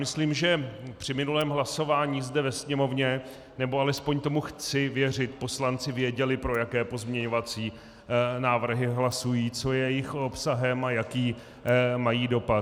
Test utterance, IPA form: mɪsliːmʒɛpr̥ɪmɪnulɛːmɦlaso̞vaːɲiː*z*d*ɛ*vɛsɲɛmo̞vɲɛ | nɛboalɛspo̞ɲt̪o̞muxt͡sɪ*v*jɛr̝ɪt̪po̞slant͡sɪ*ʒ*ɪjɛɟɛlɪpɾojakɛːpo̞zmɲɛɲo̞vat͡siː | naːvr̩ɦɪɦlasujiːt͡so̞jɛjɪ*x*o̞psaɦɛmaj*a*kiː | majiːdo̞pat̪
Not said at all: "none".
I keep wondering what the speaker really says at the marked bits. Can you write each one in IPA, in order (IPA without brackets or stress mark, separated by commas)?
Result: z, ɛ, v, v, x, a